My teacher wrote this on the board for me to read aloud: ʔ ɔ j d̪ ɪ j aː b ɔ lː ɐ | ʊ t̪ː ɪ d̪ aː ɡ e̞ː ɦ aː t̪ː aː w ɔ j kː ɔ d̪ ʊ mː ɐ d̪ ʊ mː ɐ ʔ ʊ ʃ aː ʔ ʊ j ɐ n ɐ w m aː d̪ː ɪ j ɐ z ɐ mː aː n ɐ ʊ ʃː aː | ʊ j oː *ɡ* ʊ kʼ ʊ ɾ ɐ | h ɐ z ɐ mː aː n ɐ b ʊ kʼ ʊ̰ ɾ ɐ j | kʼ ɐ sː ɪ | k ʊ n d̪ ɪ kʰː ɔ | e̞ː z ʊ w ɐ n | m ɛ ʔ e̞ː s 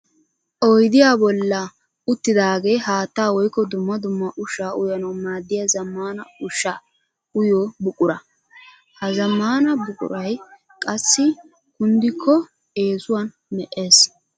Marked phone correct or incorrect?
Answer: incorrect